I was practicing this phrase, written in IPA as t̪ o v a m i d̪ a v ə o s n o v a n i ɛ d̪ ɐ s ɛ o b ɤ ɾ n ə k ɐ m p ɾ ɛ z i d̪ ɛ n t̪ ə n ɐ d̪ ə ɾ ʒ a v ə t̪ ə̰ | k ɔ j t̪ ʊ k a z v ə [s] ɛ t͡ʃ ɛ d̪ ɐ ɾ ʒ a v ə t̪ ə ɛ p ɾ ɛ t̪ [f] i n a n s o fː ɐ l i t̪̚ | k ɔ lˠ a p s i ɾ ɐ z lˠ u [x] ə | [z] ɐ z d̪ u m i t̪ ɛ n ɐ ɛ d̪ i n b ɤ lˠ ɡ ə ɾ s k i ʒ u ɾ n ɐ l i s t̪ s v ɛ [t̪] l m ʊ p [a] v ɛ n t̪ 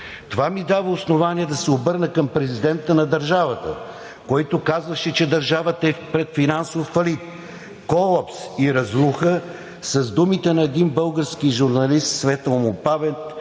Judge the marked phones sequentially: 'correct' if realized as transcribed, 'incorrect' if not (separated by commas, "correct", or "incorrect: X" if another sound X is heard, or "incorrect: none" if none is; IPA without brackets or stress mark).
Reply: incorrect: ʃ, correct, correct, incorrect: s, correct, correct